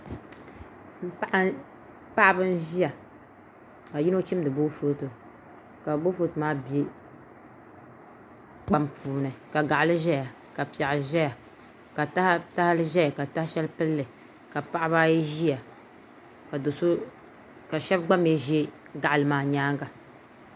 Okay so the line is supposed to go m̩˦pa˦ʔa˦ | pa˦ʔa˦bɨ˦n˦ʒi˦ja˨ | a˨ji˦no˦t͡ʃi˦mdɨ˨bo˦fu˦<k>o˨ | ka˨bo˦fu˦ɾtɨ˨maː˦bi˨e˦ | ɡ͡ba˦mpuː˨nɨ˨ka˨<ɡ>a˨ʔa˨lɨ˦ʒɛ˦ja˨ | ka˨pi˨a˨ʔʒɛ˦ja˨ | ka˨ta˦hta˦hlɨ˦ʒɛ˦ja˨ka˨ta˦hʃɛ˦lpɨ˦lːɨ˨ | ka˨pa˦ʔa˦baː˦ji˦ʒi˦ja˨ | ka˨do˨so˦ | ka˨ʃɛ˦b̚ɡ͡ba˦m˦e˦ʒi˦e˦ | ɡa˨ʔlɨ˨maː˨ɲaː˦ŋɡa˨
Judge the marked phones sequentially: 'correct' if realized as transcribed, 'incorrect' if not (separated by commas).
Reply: incorrect, correct